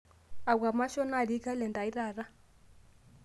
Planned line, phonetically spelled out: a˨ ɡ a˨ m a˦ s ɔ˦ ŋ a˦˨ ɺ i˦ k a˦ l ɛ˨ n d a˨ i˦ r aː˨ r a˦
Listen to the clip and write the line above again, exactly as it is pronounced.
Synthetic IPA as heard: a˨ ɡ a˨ m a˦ ʃ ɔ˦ n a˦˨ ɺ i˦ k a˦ l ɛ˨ n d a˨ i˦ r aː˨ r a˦